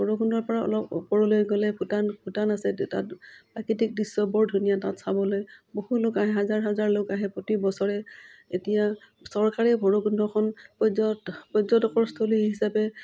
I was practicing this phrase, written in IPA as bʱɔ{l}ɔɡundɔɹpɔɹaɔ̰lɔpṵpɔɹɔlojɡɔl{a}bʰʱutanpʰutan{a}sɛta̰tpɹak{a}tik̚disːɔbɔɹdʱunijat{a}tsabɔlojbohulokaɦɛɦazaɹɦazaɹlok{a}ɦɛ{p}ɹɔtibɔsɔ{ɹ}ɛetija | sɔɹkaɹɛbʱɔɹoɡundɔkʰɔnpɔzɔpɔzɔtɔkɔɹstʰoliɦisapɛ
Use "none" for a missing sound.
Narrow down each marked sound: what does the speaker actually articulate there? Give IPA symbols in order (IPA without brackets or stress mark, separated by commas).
ɹ, ɛ, a, i, a, a, p, ɹ